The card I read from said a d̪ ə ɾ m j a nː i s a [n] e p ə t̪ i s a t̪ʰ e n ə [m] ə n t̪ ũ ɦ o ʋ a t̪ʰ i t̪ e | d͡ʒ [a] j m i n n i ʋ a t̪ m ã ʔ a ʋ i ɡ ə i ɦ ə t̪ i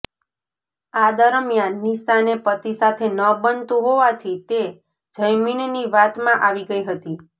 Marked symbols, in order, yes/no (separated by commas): yes, no, no